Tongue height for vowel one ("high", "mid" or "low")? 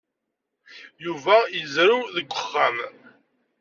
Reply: high